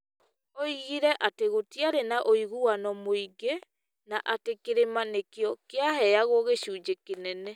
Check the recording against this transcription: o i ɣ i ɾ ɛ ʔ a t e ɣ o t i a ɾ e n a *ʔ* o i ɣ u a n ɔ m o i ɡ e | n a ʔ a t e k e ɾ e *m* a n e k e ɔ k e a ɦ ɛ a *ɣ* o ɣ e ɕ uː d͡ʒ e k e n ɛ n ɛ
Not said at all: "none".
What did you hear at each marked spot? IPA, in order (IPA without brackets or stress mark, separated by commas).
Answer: ʔ, m, ɣ